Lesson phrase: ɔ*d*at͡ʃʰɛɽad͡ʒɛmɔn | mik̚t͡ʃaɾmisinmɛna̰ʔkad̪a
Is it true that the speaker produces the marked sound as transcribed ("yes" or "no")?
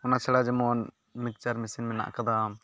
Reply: no